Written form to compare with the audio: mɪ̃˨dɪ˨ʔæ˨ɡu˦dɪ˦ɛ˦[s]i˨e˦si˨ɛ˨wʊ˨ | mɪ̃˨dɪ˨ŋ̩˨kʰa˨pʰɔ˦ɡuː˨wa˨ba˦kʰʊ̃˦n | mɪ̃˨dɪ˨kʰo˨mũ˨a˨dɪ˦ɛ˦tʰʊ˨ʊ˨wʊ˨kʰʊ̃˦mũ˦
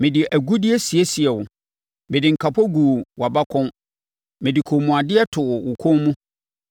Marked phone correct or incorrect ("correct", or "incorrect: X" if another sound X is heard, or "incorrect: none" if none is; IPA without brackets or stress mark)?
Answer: correct